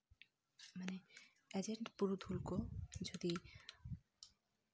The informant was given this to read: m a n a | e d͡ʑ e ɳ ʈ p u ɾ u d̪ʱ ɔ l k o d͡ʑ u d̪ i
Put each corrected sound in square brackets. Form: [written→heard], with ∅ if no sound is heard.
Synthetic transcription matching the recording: m a n [a→e] | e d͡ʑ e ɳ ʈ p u ɾ u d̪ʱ [ɔ→u] l k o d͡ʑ [u→o] d̪ i